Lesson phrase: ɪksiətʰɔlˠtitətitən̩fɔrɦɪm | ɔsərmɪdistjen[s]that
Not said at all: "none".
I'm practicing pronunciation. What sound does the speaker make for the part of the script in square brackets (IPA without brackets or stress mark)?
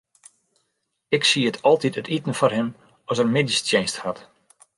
s